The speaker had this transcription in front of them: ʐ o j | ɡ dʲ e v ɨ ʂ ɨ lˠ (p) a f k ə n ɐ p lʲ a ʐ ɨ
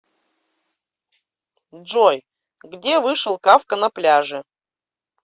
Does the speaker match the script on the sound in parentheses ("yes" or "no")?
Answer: no